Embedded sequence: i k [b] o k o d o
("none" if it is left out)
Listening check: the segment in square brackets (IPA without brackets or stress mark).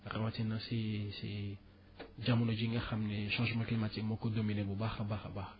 m